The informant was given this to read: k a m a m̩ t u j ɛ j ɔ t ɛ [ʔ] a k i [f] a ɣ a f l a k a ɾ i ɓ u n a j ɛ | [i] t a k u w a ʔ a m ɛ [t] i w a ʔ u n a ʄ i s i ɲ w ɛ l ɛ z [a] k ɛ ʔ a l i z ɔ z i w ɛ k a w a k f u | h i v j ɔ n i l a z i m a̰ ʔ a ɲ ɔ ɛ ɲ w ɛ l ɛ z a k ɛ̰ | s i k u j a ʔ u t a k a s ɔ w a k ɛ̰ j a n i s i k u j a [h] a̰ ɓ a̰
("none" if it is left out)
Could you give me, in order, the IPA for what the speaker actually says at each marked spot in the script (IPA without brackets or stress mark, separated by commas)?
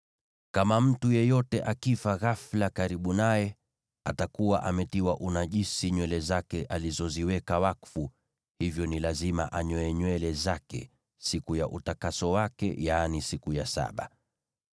ʔ, f, a, t, a, s